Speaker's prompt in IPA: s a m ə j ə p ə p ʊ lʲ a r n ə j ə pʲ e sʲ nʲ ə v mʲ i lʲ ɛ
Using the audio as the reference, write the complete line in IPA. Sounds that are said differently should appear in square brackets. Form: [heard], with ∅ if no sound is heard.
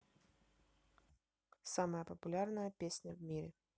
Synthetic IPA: s a m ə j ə p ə p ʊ lʲ a r n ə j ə pʲ e sʲ nʲ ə v mʲ i [ɾʲ] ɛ

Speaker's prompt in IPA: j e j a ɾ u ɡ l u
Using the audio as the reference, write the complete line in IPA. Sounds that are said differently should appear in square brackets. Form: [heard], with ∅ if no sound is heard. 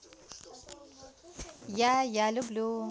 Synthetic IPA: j [a] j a [l] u [b] l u

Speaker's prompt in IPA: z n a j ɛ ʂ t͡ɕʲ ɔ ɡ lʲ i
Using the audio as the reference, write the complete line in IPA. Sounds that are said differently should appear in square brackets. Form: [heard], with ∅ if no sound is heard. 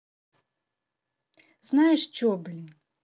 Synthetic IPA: z n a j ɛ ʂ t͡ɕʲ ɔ [b] lʲ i

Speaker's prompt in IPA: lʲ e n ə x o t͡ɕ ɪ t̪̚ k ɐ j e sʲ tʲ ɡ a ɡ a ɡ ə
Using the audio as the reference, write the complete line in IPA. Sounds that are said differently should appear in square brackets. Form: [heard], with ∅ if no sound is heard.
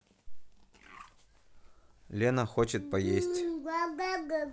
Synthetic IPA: lʲ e n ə x o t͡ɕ ɪ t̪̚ [p] ɐ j e sʲ tʲ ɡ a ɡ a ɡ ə

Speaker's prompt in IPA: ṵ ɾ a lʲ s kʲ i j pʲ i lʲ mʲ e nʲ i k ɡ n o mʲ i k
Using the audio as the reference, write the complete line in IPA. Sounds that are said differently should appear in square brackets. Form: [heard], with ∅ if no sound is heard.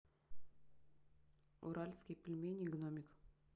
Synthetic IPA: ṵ ɾ a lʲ s kʲ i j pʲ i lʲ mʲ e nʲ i [∅] ɡ n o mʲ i k

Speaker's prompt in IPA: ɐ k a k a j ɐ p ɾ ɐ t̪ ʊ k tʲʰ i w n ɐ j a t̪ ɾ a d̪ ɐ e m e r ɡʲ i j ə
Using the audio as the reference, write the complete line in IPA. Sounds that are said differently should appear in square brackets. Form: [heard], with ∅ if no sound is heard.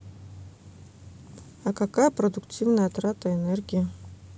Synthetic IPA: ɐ k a k a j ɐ p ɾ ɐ [d̪] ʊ k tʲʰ i [v] n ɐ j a t̪ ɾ a [t̪] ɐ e [n] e r ɡʲ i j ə

